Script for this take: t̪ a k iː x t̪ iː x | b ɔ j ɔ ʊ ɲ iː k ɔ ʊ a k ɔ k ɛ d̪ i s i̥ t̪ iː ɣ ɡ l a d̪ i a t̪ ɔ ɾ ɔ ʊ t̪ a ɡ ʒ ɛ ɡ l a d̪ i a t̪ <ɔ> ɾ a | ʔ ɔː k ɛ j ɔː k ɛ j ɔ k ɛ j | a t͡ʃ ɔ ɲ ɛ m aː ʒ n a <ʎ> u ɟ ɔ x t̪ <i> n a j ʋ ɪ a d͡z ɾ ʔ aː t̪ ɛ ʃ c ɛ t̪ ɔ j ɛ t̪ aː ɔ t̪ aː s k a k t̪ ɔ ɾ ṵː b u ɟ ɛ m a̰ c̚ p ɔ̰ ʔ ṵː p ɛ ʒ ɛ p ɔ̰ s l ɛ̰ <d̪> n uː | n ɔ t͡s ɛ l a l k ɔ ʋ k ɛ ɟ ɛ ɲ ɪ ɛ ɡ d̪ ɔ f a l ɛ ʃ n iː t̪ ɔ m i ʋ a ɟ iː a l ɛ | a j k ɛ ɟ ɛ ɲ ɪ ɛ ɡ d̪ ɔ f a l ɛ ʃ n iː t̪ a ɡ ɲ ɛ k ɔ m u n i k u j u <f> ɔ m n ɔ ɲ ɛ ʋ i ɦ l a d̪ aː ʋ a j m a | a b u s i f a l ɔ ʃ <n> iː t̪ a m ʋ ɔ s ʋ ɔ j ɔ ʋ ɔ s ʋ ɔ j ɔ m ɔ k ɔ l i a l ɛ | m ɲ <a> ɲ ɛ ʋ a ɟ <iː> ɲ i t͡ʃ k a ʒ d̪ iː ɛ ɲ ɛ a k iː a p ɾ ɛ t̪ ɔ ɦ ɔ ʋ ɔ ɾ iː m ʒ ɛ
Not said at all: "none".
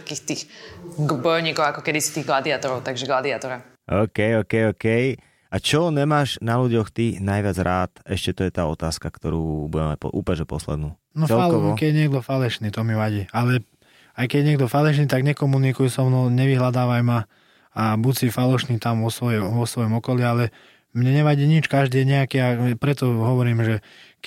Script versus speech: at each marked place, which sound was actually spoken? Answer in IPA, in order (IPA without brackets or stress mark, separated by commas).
ɔ, l, i, d̪, s, n, ɛ, iː